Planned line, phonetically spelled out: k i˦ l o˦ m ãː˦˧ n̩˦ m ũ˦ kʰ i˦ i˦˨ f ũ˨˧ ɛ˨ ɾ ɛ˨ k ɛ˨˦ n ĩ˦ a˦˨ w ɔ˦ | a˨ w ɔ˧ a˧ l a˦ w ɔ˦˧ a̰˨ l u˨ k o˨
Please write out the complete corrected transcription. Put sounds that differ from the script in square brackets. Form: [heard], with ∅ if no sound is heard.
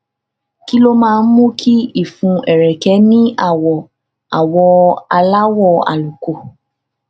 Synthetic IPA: k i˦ l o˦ m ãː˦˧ n̩˦ m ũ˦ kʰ i˦ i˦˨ f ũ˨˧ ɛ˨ ɾ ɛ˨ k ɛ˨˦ n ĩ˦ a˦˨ w [ɔ˨] | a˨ w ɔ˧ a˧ l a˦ w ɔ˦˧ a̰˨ l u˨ k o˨